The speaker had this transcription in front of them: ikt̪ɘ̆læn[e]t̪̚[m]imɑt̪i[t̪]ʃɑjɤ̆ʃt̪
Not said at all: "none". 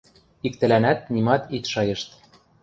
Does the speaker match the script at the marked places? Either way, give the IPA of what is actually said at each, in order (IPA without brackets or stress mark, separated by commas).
æ, n, t̪